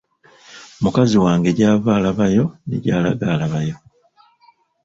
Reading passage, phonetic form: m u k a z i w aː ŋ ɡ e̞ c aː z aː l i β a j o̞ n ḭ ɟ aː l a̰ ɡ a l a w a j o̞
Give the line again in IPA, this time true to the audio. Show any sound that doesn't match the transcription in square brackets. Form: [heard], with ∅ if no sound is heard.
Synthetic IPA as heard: m u k a z i w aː ŋ ɡ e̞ [ɟ] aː [v] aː l [a] β a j o̞ n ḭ ɟ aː l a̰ ɡ a l a [β] a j o̞